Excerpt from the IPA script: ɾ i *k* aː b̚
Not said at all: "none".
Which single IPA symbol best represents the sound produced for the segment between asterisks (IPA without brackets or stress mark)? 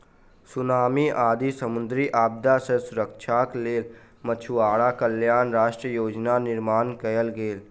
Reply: ʔ